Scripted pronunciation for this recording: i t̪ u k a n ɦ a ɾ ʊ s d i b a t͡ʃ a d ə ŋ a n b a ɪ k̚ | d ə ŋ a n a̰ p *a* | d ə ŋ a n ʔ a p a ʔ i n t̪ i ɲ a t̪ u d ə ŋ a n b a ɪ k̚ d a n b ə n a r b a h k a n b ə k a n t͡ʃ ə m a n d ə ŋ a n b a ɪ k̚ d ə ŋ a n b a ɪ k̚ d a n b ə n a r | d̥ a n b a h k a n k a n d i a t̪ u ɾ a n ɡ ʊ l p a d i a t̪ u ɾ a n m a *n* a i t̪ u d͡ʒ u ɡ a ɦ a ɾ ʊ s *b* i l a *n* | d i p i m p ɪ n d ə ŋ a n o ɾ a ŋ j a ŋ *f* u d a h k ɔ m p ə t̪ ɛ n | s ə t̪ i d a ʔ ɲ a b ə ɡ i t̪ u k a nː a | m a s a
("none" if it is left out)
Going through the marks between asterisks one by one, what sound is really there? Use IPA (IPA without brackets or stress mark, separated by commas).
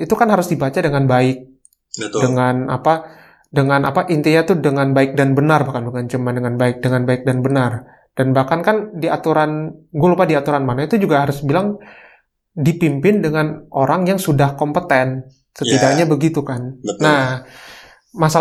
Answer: a, n, b, ŋ, s